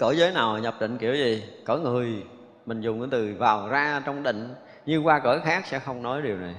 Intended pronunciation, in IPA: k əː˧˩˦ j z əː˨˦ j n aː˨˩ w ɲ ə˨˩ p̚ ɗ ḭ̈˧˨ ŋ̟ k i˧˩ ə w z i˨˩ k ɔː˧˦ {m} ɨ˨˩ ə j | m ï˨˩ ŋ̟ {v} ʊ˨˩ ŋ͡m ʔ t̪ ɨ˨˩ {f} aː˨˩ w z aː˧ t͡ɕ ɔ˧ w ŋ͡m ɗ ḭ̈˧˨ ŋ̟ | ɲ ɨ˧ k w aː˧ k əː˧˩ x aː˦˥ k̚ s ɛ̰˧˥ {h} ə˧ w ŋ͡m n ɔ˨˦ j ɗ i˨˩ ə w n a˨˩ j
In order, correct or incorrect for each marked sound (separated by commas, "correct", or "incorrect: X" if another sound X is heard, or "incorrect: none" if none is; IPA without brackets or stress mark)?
incorrect: ŋ, incorrect: z, incorrect: v, incorrect: x